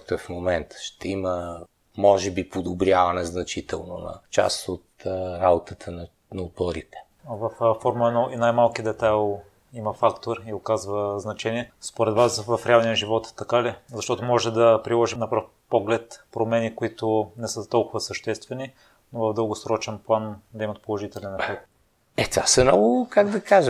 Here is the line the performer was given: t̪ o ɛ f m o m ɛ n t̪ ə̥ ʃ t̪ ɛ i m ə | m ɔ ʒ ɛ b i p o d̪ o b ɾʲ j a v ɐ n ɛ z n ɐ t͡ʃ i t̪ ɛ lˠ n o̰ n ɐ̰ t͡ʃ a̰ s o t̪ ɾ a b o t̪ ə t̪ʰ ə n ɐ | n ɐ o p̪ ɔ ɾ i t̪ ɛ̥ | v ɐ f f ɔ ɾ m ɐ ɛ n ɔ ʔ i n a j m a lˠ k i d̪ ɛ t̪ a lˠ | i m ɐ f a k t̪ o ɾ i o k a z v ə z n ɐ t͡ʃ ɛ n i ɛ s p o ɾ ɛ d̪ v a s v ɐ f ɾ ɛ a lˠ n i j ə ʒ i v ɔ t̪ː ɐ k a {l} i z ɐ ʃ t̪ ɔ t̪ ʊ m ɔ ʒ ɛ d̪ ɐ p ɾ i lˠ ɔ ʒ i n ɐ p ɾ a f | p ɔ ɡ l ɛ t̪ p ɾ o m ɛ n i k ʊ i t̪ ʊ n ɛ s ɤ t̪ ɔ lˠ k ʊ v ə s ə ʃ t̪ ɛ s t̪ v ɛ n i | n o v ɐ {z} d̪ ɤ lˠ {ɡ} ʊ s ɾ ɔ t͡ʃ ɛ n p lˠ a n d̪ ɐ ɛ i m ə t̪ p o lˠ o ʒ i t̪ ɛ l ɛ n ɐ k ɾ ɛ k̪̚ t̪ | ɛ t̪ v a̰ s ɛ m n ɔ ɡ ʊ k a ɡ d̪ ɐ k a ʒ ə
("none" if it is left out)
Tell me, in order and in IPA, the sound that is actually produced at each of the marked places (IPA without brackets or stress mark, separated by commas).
l, v, ɡ